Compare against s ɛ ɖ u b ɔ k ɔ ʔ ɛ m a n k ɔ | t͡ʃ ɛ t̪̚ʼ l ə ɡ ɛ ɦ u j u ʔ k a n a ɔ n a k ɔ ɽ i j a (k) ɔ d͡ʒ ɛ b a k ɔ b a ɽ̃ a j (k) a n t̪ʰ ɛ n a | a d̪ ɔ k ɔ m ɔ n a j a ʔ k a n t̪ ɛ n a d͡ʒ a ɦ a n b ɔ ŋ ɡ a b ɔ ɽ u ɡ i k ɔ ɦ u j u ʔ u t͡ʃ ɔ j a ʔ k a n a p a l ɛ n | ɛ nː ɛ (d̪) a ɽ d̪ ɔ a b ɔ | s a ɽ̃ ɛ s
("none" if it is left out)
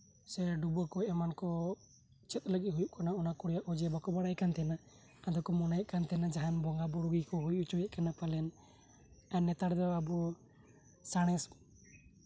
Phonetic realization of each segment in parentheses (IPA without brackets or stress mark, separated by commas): ʔ, k, t̪